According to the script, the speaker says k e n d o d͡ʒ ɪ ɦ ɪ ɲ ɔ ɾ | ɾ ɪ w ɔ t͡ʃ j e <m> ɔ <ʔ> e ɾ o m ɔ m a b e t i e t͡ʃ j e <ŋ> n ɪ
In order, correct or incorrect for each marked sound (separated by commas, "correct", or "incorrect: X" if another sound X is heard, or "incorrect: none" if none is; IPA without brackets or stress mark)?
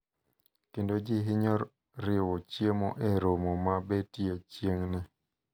correct, correct, correct